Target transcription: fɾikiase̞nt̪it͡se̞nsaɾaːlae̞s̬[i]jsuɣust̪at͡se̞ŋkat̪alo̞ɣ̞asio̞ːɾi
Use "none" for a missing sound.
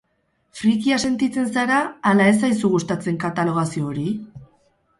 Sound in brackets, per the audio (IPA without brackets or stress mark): a